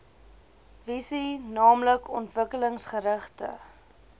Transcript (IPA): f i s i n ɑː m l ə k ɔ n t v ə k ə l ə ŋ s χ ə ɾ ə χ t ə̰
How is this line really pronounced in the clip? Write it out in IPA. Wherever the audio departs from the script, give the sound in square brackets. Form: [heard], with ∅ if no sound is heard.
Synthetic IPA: [v] i s i n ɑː m l ə k ɔ n t v ə k ə l ə ŋ s χ ə ɾ ə χ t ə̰

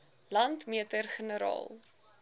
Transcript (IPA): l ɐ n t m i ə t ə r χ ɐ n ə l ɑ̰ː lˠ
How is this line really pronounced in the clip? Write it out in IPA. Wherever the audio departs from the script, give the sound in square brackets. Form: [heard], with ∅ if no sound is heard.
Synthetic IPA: l ɐ n t m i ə t ə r χ [ə] n ə [ɾ] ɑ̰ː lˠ

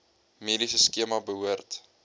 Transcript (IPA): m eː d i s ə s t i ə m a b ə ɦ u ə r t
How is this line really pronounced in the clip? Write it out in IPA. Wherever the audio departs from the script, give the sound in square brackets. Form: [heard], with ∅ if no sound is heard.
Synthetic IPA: m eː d i s ə s [k] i ə m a b ə ɦ u ə r t

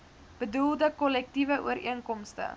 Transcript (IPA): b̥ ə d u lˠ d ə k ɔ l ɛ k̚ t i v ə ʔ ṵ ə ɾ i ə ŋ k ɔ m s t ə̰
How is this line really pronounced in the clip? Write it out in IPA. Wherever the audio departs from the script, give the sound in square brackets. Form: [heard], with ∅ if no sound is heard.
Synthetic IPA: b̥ ə d u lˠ d ə k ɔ l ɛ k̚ t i v ə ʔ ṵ ə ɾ i ə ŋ k ɔ m s t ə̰

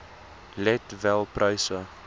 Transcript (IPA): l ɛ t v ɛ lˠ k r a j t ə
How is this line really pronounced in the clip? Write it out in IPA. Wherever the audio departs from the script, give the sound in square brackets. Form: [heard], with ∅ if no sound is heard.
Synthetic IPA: l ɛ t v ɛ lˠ [p] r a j [s] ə

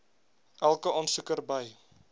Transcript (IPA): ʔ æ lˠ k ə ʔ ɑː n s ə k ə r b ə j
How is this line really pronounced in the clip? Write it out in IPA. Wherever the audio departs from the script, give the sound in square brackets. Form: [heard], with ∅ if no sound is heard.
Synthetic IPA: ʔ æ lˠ k ə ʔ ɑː n s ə k ə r b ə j

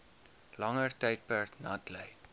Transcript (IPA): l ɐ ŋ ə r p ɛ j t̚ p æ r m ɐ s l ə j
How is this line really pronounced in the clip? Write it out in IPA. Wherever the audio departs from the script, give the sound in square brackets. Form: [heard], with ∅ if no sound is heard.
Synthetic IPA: l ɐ ŋ ə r [t] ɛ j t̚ p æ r [n] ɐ [t] l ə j

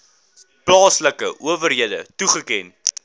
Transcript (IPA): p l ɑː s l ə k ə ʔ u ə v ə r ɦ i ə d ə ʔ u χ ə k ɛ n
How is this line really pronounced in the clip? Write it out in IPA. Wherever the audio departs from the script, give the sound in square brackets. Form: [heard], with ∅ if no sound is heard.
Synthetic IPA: p l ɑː s l ə k ə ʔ u ə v ə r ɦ i ə d ə [t] u χ ə k ɛ n

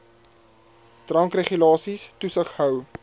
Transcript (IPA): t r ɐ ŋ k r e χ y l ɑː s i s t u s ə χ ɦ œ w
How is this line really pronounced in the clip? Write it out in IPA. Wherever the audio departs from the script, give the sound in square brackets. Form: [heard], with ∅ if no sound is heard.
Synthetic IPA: t r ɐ ŋ k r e χ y l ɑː s i s t u s ə χ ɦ œ w

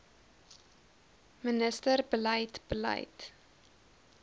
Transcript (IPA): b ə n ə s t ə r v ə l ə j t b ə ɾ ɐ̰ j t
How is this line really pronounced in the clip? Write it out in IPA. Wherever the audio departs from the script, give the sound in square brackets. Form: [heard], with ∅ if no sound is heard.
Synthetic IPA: [m] ə n ə s t ə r [b] ə l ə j t b ə [l] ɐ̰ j t

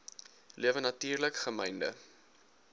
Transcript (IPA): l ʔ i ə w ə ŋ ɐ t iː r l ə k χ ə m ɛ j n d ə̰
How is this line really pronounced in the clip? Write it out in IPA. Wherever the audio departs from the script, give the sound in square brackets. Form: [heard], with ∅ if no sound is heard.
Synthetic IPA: l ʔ i ə [v] ə [n] ɐ t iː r l ə k χ ə m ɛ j n d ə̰

